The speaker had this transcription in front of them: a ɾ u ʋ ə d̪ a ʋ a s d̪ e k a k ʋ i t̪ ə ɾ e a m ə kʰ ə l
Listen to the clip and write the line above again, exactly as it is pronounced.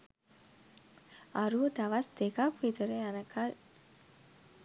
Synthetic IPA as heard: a ɾ u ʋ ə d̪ a ʋ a s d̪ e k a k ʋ i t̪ ə ɾ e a n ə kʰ a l